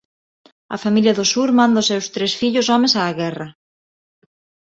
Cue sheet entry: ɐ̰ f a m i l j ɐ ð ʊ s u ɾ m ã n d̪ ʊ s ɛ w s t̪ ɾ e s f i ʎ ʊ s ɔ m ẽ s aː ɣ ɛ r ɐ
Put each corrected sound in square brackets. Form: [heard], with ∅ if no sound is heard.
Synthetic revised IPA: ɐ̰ f a m i l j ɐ ð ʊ s u ɾ m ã n d̪ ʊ s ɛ w s t̪ ɾ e s f i ʎ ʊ s ɔ m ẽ s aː ɣ ɛ r ɐ